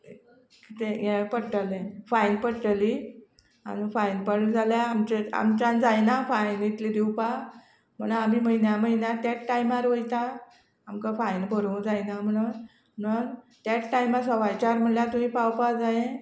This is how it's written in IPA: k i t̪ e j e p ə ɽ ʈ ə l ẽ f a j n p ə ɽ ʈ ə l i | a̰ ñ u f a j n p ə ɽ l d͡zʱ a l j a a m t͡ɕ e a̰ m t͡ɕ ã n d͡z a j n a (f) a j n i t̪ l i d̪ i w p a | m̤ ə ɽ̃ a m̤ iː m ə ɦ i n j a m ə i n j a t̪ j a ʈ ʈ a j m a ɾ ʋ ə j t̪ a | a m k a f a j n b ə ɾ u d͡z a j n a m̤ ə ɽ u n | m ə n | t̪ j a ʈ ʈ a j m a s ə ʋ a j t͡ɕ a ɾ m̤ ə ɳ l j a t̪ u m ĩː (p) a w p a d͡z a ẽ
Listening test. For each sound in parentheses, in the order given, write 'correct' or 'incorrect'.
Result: correct, correct

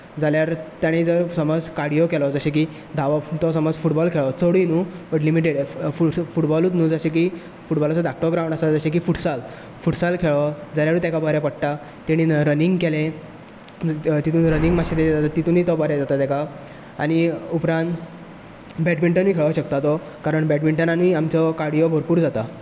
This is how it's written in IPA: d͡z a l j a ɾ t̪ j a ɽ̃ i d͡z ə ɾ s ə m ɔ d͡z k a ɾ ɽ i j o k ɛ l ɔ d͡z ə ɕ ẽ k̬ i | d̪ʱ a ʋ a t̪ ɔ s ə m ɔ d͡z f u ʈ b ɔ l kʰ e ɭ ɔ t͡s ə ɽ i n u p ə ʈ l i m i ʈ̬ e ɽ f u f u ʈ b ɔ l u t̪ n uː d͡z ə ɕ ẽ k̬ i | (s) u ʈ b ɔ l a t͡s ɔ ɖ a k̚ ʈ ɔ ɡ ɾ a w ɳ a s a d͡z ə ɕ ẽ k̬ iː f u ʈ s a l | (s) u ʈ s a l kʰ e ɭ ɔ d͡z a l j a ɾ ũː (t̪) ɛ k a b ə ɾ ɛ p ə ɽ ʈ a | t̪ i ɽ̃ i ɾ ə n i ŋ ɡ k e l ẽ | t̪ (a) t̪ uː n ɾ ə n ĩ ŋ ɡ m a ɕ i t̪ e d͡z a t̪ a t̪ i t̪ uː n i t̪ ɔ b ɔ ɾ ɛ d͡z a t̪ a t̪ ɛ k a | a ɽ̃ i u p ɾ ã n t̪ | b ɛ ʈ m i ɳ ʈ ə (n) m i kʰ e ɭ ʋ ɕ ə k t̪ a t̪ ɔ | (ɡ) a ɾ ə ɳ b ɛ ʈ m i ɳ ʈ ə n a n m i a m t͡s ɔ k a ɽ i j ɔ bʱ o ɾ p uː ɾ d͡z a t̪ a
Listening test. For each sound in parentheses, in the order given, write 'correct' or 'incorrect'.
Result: incorrect: f, incorrect: f, correct, incorrect: i, correct, incorrect: k

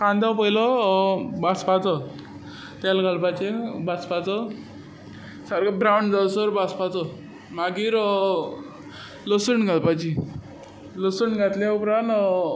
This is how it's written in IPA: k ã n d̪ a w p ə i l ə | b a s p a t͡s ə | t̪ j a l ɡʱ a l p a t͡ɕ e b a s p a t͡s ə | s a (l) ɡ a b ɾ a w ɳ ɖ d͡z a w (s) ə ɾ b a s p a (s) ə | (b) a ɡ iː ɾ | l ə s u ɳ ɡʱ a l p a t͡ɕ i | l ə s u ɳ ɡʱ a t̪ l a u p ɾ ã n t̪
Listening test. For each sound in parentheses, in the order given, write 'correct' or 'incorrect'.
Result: incorrect: ɾ, correct, incorrect: t͡s, incorrect: m

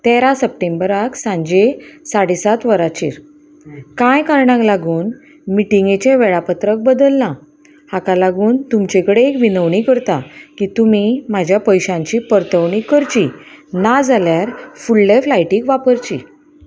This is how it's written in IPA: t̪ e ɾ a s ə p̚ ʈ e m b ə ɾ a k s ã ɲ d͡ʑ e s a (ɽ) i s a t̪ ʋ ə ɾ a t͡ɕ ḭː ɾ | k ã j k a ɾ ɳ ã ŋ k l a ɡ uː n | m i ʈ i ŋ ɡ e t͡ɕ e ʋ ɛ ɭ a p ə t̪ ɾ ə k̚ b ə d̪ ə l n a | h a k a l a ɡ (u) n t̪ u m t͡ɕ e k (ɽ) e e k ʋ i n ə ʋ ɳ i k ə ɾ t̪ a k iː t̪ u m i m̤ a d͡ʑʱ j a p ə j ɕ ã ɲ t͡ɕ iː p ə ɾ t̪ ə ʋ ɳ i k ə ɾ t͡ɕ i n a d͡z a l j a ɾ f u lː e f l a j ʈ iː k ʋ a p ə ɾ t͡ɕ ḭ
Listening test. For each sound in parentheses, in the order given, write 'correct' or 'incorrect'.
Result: correct, incorrect: uː, correct

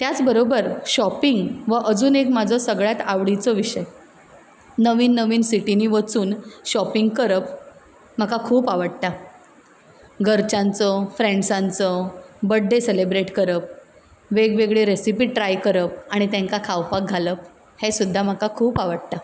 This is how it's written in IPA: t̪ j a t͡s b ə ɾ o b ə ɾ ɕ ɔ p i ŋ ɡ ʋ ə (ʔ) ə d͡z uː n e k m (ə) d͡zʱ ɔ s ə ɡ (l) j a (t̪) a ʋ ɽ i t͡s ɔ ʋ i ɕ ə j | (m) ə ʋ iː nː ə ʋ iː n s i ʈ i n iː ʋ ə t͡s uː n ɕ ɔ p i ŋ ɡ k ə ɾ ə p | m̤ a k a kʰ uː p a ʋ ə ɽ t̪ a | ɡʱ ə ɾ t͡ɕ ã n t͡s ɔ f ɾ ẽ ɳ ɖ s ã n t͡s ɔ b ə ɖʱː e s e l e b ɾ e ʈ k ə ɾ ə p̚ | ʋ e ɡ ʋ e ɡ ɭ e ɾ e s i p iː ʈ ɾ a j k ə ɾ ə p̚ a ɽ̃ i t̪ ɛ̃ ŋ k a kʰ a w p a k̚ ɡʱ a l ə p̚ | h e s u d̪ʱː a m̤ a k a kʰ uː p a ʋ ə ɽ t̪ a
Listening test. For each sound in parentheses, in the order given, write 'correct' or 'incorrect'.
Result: correct, incorrect: a, incorrect: ɭ, correct, incorrect: n

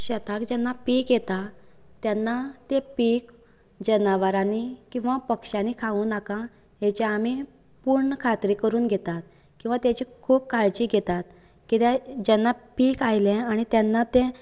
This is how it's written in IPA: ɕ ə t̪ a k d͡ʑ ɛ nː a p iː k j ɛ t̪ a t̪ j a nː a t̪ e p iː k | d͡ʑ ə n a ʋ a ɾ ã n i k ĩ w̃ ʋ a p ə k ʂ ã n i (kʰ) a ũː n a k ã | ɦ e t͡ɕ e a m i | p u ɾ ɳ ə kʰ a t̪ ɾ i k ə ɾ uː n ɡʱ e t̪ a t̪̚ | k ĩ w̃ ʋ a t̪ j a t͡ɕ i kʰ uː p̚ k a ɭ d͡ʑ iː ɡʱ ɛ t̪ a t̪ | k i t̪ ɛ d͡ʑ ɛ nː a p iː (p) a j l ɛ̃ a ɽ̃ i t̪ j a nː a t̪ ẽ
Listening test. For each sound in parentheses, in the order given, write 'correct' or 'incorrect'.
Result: correct, incorrect: k

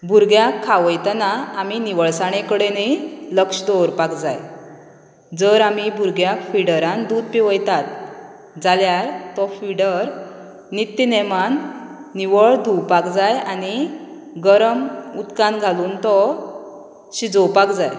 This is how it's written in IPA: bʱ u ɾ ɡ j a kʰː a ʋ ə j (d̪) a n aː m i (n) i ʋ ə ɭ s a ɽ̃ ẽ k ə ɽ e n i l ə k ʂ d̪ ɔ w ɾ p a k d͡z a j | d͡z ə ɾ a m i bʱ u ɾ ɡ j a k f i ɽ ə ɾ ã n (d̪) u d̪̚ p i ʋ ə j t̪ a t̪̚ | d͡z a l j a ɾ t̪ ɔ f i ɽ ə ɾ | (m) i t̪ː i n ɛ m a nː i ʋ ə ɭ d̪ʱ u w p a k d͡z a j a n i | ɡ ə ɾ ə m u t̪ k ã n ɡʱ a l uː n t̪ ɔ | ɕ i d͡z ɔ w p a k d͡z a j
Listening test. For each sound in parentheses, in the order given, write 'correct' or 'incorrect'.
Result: incorrect: t̪, correct, correct, incorrect: n

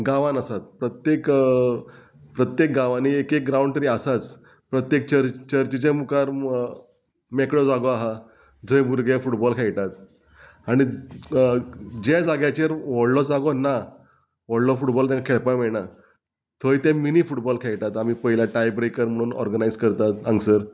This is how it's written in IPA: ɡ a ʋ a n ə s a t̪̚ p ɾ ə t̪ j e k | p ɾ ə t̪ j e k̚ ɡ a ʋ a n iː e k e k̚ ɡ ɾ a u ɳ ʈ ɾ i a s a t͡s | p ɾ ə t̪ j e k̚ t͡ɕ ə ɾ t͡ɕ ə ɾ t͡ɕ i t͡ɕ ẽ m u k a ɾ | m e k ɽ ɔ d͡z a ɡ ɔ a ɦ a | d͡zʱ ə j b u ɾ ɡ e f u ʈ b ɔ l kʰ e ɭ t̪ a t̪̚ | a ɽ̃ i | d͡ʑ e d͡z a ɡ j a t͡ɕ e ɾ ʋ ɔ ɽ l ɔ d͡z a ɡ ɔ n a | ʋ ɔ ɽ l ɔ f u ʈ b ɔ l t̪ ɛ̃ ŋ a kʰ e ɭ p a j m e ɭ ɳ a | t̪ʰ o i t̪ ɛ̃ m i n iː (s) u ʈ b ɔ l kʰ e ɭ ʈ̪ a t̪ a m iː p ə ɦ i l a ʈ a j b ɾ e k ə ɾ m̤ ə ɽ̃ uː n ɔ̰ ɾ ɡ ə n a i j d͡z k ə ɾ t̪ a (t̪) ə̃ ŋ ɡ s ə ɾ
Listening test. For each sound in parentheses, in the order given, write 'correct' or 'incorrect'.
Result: incorrect: f, correct

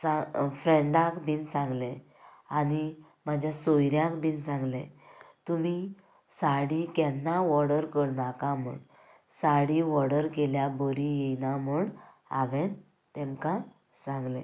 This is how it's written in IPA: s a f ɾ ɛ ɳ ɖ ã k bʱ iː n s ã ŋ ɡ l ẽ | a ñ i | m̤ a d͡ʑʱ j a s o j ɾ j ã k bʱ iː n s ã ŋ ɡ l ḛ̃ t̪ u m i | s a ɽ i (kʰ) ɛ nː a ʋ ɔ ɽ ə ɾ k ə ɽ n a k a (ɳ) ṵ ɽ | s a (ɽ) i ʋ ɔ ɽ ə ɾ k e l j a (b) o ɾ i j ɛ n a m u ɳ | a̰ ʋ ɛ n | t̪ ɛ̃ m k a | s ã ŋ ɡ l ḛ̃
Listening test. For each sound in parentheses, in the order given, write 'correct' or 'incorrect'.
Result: incorrect: k, incorrect: m, correct, correct

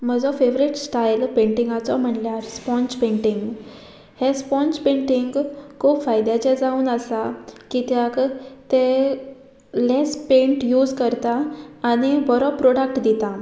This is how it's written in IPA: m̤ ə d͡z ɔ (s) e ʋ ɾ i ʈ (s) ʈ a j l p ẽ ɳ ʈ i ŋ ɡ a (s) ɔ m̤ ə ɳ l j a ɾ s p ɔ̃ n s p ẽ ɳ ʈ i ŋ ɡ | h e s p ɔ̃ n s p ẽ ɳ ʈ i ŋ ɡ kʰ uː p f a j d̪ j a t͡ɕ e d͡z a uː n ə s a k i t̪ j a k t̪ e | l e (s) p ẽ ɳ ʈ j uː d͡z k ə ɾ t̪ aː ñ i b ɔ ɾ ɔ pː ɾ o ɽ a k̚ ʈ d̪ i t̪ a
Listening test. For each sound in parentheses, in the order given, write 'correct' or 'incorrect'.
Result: incorrect: f, correct, incorrect: t͡s, correct

